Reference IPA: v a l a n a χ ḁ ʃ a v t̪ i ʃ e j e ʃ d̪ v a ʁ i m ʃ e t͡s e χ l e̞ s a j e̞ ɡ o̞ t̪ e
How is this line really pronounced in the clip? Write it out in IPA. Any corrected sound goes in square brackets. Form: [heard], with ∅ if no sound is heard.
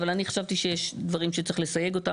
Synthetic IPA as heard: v a l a n [i] χ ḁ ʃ a v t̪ i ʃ e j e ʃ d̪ v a ʁ i m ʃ e t͡s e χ l e̞ s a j e̞ ɡ o̞ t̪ [a]